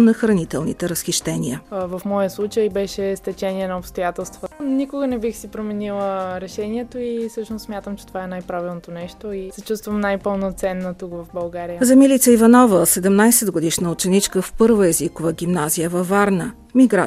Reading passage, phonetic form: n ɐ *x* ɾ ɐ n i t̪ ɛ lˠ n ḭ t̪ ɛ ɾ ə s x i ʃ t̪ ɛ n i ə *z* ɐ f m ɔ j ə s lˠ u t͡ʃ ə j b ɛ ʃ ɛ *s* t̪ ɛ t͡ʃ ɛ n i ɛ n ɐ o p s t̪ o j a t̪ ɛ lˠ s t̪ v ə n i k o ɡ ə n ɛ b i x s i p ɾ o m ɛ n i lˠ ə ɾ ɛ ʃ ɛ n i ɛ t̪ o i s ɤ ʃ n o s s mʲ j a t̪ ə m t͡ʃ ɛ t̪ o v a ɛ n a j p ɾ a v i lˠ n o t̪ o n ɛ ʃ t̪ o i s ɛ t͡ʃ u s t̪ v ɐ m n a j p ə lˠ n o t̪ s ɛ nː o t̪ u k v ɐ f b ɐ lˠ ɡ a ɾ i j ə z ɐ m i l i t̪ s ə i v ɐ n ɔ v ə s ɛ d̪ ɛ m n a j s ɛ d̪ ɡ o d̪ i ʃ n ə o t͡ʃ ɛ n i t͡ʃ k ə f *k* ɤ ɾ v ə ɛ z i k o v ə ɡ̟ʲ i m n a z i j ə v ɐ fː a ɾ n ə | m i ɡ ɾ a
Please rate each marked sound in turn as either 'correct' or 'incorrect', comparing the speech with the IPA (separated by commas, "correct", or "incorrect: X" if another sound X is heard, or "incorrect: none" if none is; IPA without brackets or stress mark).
correct, incorrect: v, correct, incorrect: p